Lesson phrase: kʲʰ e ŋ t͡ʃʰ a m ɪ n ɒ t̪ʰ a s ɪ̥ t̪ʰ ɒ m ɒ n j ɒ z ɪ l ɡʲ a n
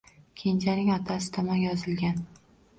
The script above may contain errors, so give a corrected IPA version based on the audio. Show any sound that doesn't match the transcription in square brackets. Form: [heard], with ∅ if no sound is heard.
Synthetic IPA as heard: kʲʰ e [n] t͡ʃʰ a [n] ɪ [ŋ] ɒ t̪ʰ a s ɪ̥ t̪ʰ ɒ m ɒ n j ɒ z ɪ l ɡʲ a n